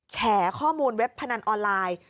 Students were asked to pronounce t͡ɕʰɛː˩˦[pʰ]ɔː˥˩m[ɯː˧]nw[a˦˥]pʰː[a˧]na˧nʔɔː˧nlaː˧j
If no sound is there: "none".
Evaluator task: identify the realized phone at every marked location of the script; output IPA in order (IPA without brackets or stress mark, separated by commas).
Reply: kʰ, uː˧, e˦˥, a˧